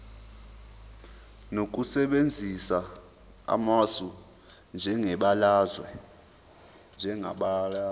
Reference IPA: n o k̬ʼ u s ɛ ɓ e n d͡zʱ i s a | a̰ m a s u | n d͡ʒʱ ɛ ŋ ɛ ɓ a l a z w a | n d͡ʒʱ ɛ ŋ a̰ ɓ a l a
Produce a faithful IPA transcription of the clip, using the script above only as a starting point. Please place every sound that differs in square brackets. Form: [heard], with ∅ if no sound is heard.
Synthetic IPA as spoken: n o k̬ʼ u s ɛ ɓ e n d͡zʱ i s a | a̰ m a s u | n d͡ʒʱ ɛ ŋ ɛ ɓ a l a z w [ɛ] | n d͡ʒʱ ɛ ŋ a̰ ɓ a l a